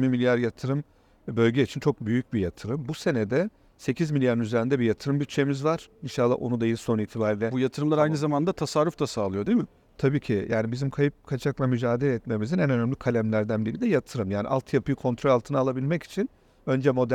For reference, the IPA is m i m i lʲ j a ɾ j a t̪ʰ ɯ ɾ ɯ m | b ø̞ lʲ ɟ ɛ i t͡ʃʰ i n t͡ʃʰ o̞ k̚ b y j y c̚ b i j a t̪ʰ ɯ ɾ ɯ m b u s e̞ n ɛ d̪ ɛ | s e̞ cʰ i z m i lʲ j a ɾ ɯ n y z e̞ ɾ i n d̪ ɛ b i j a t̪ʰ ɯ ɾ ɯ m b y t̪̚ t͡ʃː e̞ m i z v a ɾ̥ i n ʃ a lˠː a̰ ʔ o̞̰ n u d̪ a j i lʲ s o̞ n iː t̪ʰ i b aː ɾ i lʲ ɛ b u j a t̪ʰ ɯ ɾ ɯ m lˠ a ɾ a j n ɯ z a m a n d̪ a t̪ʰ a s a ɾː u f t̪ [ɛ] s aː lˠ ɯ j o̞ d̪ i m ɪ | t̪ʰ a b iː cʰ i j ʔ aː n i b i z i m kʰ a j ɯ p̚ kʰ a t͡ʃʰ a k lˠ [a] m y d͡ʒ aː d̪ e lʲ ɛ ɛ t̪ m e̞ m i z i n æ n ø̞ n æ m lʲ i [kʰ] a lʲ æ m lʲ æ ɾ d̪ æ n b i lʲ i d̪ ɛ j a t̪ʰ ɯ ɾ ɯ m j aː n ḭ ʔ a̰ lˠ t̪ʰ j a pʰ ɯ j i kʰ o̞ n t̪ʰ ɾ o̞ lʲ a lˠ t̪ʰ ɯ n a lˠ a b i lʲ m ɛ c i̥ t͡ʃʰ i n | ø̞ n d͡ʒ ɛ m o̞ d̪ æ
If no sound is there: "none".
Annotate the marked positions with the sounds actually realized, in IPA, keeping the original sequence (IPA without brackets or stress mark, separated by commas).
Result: a, a, kʰ